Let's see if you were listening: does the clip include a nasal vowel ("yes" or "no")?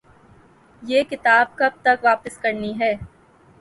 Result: no